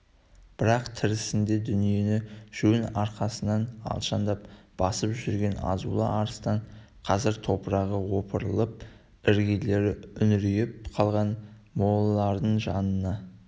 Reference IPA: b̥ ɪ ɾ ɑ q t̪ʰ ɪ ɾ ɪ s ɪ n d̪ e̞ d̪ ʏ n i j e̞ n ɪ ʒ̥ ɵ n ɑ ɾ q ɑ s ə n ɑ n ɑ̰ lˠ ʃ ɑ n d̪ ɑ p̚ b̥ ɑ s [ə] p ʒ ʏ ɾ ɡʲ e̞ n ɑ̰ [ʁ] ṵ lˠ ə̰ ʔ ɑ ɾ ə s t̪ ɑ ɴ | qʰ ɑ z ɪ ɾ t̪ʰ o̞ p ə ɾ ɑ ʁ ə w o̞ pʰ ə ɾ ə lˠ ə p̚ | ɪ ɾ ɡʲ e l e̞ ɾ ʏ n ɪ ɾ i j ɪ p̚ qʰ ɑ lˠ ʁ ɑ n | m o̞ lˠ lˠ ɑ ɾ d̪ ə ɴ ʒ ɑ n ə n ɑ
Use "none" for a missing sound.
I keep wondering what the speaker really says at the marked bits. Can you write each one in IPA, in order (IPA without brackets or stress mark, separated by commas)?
ə, z